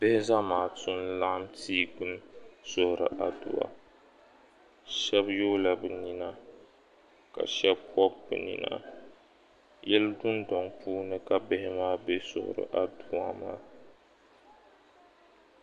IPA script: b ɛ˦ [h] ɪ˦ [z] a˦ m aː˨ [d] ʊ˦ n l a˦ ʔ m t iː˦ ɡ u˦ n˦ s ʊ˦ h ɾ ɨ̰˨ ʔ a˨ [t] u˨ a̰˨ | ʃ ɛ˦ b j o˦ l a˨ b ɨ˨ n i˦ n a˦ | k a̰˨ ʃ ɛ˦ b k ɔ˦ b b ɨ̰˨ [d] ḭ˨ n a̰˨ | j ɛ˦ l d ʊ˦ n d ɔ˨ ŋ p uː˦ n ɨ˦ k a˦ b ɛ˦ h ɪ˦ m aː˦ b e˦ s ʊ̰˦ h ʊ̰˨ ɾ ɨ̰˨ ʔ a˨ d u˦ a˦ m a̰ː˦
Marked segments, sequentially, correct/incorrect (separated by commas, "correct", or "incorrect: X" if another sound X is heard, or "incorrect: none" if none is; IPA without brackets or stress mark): correct, correct, incorrect: t, incorrect: d, incorrect: n